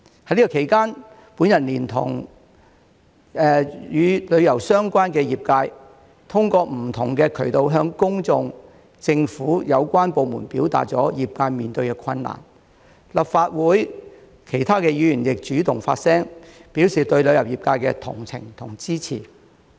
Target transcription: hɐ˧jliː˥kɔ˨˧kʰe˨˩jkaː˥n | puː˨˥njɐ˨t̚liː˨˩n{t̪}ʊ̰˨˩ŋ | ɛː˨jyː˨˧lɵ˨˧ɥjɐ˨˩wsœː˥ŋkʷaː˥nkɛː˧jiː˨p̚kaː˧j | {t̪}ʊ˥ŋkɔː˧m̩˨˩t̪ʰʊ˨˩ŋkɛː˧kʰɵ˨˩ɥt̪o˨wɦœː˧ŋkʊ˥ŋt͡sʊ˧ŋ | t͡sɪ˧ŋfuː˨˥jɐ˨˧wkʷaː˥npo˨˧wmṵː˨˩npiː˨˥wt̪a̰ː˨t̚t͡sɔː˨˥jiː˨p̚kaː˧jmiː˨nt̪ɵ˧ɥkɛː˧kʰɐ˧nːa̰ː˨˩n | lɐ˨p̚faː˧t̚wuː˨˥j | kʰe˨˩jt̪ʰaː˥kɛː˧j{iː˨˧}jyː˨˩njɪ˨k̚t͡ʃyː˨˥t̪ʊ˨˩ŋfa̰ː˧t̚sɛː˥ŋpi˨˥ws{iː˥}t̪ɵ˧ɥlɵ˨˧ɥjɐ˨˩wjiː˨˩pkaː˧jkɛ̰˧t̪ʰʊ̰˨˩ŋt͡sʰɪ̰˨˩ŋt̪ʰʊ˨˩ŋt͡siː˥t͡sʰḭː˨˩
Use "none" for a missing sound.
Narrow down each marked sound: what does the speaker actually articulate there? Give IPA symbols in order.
t̪ʰ, t̪ʰ, yː˨˧, iː˨

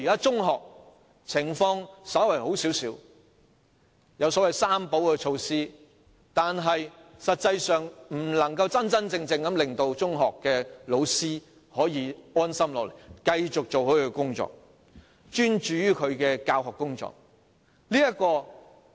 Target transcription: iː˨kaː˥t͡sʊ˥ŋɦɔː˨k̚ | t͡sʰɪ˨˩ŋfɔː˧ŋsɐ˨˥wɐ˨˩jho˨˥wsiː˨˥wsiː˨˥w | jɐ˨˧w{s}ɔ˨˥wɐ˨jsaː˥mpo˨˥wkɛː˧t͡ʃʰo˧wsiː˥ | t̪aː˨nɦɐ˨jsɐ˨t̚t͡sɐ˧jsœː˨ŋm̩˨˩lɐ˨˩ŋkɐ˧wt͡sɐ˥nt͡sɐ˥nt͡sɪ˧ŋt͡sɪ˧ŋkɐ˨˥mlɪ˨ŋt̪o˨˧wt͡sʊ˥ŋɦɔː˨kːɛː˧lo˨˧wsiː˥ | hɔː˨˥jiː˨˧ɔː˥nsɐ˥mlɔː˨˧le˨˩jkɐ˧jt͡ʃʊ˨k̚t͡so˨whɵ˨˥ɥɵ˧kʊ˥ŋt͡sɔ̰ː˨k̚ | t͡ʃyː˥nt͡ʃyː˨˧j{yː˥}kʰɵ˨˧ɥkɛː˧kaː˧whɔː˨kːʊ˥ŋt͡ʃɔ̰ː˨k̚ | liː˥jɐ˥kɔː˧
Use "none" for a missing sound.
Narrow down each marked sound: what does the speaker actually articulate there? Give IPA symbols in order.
s, yː˥

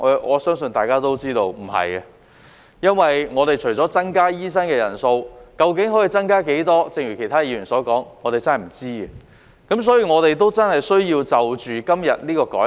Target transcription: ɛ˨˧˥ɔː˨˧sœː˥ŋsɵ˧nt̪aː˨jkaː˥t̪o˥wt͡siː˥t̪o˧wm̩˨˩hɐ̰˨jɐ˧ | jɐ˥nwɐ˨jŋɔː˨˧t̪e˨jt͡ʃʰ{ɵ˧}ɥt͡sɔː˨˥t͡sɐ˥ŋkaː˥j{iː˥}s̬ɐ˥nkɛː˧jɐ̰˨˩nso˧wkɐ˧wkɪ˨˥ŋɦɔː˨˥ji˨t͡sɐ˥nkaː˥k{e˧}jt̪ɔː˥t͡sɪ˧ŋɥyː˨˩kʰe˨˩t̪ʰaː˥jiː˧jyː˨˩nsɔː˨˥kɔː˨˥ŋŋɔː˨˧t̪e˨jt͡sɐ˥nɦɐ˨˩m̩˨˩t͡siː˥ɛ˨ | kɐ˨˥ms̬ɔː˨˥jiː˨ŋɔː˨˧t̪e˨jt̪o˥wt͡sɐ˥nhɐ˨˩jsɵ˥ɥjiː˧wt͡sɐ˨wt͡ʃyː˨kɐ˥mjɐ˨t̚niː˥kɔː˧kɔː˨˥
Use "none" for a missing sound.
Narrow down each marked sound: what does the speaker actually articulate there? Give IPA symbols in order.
ɵ˨˩, iː˥, e˨˥

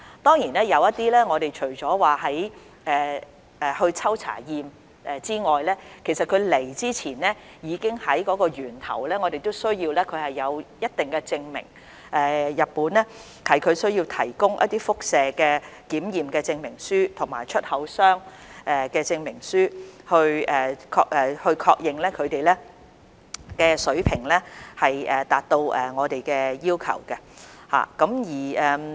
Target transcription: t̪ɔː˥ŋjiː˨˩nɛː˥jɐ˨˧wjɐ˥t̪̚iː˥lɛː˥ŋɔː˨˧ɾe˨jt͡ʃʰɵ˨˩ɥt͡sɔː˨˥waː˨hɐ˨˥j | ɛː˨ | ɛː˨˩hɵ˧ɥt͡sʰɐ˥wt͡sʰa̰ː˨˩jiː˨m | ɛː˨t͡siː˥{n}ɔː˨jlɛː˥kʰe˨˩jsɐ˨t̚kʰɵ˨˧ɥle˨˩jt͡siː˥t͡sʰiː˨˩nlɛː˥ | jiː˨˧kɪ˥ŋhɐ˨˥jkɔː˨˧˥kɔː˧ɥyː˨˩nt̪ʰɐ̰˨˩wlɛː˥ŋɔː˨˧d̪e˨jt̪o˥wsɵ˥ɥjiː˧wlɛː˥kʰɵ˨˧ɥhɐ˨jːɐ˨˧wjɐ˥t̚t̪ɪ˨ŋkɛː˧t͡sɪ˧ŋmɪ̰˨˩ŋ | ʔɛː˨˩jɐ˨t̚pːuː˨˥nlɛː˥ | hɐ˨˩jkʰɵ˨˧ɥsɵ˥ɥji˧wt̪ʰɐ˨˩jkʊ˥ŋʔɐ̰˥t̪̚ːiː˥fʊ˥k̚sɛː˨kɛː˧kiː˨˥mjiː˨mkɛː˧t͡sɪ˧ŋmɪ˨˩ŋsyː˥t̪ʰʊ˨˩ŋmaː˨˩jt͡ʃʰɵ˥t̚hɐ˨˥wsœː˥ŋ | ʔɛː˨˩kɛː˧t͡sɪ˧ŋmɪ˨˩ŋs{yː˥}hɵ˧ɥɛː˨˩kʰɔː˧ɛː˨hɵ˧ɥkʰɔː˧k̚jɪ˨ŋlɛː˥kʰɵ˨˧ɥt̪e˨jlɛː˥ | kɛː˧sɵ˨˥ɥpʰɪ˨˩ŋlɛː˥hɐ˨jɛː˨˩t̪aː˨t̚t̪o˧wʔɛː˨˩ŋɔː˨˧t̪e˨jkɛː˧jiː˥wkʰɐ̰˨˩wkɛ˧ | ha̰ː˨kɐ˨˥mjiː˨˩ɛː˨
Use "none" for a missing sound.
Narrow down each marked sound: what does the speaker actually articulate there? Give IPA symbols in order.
ŋ, yː˥

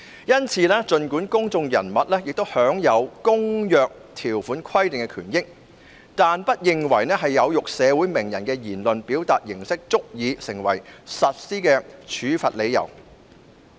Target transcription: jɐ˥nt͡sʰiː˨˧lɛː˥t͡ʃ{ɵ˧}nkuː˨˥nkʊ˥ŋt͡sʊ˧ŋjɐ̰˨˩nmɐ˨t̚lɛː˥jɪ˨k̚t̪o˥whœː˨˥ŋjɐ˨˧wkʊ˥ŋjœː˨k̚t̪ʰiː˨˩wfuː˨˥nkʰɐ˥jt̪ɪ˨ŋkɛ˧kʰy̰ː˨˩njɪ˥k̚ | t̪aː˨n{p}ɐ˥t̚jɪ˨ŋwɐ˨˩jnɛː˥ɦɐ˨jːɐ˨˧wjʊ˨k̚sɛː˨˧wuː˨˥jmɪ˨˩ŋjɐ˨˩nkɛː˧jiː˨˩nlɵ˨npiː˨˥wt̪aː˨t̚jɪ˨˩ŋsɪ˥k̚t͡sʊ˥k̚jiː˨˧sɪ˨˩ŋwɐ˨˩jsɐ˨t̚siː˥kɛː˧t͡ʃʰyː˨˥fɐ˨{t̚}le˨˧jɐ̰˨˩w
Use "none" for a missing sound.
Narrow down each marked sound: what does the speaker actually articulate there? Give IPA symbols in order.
ɵ˧, p, t̚

